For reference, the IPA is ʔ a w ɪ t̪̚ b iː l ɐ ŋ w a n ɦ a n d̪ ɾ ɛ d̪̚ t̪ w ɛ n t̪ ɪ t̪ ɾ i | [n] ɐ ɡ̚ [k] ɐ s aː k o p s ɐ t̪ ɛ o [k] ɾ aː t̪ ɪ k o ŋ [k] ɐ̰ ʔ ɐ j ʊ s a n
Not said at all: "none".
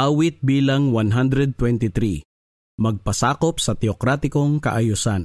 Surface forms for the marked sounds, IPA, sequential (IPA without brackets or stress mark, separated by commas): m, p, k, k